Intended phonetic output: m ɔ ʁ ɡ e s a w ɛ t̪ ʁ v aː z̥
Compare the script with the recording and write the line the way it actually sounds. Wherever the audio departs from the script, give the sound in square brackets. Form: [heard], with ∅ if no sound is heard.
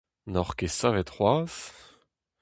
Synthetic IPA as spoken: [n] ɔ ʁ [k] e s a [v] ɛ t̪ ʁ [w] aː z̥